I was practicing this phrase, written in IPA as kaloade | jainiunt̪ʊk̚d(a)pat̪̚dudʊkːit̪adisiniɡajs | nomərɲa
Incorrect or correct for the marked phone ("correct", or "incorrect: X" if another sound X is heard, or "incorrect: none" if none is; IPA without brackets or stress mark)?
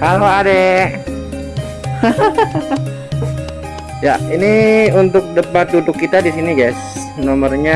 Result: incorrect: ə